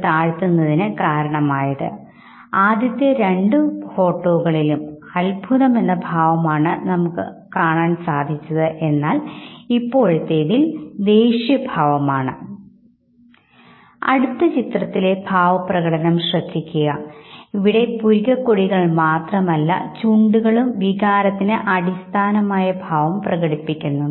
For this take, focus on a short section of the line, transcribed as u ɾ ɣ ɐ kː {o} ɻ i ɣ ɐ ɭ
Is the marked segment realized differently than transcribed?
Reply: no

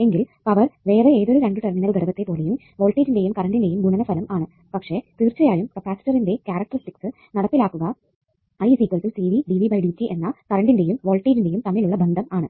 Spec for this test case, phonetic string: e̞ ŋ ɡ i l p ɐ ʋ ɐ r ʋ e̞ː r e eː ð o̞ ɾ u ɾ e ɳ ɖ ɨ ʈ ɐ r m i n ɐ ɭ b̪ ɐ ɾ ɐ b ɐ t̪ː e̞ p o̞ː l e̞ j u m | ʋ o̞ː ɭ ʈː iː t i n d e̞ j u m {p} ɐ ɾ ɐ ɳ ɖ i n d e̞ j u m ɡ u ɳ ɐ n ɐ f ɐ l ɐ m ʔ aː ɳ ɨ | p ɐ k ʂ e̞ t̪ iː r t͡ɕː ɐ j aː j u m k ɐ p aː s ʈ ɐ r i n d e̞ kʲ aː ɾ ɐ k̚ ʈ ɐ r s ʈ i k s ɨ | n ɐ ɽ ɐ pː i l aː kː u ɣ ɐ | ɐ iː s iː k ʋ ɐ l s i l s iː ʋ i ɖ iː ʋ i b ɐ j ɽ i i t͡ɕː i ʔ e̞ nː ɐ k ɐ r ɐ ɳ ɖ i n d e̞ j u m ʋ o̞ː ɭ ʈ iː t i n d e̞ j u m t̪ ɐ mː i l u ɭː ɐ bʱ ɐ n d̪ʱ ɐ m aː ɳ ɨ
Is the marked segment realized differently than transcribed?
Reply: yes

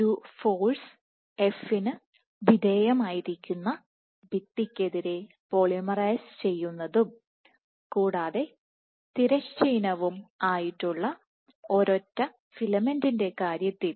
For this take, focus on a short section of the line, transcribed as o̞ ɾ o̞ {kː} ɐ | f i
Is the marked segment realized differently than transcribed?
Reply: yes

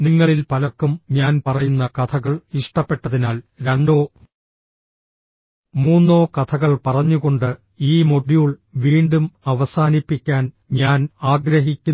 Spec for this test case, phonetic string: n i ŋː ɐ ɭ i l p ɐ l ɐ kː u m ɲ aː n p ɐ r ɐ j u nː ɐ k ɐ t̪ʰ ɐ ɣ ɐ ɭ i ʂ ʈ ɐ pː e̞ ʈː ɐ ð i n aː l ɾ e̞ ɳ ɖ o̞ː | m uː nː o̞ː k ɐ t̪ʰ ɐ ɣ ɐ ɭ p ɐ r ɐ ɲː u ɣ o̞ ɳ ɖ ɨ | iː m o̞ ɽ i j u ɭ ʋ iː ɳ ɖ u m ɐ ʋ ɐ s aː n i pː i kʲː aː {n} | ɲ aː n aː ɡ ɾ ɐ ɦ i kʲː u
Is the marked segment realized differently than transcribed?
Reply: no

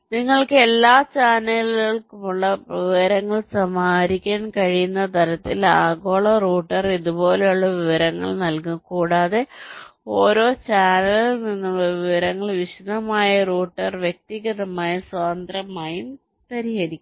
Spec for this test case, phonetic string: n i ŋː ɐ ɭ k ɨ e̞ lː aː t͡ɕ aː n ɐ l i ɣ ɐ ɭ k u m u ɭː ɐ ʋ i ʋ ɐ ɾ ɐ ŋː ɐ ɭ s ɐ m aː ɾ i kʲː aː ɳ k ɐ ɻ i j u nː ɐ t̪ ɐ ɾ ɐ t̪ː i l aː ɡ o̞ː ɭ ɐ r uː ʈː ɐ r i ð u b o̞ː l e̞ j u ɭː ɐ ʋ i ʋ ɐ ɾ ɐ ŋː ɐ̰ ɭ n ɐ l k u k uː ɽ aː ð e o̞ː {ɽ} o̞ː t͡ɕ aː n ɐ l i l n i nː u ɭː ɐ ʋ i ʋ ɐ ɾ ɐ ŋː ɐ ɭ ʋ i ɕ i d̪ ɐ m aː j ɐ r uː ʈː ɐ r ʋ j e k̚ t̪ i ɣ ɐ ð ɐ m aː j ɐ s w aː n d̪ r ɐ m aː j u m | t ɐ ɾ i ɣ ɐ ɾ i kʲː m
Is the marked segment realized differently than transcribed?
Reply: yes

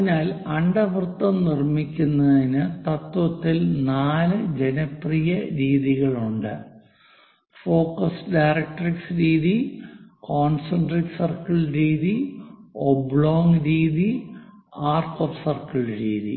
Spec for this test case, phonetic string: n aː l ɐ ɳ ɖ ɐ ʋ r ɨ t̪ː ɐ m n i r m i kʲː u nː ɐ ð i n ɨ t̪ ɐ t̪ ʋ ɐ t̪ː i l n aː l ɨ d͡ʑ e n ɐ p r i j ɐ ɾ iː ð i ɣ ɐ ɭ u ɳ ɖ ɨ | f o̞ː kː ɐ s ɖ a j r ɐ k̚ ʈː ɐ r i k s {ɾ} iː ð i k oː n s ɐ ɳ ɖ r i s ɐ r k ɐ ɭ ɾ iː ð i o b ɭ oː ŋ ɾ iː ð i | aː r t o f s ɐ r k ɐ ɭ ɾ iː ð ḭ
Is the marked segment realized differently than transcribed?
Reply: no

